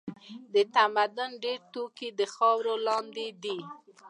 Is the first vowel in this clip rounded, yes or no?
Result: no